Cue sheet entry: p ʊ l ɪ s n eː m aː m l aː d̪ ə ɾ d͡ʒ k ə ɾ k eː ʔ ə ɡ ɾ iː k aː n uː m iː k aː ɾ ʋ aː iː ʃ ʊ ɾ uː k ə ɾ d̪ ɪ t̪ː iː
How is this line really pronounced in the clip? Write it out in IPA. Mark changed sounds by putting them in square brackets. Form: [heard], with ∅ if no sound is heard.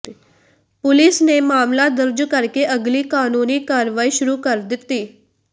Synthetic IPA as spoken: p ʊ l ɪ s n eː m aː m l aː d̪ ə ɾ d͡ʒ k ə ɾ k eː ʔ ə ɡ [l] iː k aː n uː [n] iː k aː ɾ ʋ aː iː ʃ ʊ ɾ uː k ə ɾ d̪ ɪ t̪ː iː